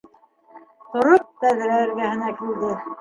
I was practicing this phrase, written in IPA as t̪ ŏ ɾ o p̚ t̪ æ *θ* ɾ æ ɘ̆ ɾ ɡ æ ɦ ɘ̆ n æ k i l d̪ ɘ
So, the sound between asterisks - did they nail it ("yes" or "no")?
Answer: no